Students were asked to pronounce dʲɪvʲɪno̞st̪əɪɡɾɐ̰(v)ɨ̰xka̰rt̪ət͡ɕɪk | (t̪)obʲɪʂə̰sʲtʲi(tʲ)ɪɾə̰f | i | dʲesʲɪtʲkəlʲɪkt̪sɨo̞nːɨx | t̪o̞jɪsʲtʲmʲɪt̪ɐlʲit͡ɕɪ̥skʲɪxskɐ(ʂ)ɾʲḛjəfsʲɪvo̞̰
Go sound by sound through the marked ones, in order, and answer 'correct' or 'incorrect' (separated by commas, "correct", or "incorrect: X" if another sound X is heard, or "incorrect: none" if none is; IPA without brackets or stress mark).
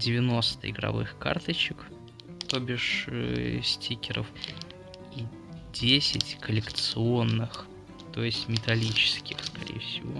correct, correct, incorrect: kʲ, incorrect: none